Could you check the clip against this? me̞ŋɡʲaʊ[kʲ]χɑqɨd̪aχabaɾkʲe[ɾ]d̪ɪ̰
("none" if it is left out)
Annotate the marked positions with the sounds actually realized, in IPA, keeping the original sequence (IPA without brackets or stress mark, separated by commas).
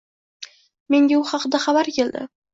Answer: none, l